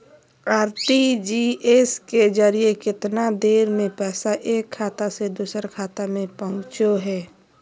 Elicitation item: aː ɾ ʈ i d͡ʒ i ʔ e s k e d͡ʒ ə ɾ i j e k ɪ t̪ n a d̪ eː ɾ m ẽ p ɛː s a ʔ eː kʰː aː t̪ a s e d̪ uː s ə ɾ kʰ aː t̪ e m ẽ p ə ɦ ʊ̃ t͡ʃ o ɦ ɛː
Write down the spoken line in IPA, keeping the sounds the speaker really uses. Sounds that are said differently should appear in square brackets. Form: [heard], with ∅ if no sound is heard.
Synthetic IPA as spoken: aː ɾ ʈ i d͡ʒ i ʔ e s k e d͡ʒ ə ɾ i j e k ɪ t̪ n a d̪ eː ɾ m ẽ p ɛː s a ʔ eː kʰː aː t̪ a s e d̪ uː s ə ɾ kʰ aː t̪ [a] m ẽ p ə ɦ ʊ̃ t͡ʃ o ɦ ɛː